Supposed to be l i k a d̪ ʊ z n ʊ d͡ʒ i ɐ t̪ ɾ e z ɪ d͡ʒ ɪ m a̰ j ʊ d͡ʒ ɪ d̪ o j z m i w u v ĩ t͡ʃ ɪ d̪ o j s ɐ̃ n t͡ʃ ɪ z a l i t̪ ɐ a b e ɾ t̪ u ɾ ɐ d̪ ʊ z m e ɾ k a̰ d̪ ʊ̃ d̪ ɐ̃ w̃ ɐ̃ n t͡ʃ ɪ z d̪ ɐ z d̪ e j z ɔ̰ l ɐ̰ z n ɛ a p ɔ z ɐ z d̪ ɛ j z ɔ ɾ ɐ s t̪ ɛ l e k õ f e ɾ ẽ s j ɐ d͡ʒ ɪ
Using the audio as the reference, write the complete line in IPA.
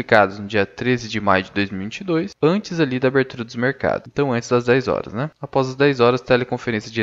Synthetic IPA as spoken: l i k a d̪ ʊ z n ʊ d͡ʒ i ɐ t̪ ɾ e z ɪ d͡ʒ ɪ m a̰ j ʊ d͡ʒ ɪ d̪ o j z m i w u v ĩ t͡ʃ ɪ d̪ o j s ɐ̃ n t͡ʃ ɪ z a l i d̪ ɐ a b e ɾ t̪ u ɾ ɐ d̪ ʊ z m e ɾ k a̰ d̪ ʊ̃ t̪ ɐ̃ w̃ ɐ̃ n t͡ʃ ɪ z d̪ ɐ z d̪ ɛ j z ɔ̰ ɾ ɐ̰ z n ɛ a p ɔ z ɐ z d̪ ɛ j z ɔ ɾ ɐ s t̪ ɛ l e k õ f e ɾ ẽ s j ɐ d͡ʒ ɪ